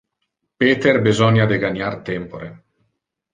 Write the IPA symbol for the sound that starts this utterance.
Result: p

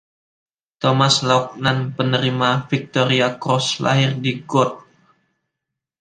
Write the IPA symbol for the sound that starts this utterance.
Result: t̪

